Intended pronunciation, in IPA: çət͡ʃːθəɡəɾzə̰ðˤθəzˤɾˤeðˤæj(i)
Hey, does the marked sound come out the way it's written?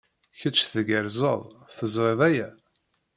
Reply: no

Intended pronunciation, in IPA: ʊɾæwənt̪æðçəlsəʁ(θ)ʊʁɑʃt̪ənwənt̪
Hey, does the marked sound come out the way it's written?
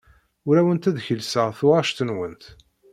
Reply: yes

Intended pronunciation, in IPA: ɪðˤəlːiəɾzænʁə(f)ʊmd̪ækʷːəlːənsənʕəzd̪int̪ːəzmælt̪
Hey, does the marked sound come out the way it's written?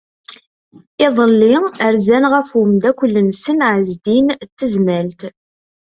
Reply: yes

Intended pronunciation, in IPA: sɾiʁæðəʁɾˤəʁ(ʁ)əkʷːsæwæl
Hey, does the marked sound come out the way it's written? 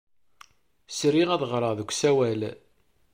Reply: no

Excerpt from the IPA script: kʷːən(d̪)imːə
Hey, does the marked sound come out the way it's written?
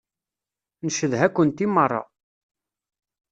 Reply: no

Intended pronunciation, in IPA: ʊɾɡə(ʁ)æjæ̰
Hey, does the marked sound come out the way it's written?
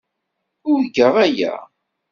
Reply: yes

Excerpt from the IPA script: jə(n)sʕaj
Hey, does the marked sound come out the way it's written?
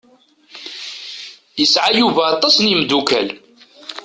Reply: no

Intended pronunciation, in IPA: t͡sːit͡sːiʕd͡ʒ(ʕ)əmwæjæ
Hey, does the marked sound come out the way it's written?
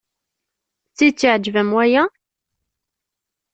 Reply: no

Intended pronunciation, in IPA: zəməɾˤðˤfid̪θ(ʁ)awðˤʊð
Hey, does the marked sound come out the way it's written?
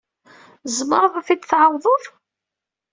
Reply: no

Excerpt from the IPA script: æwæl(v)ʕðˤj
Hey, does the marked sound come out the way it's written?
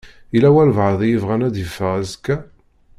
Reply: yes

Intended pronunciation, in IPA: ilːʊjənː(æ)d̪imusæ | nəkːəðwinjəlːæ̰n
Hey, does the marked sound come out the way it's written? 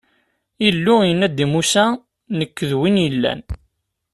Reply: yes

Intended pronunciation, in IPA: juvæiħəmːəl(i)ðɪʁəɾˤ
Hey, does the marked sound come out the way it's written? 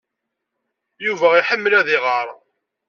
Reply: no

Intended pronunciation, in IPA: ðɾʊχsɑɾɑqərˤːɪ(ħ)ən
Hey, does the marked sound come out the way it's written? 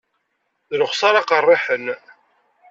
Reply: yes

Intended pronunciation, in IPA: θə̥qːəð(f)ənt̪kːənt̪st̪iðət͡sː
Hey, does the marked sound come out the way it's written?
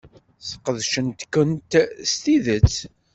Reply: no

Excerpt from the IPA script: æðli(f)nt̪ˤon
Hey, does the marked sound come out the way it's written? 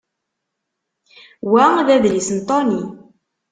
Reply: no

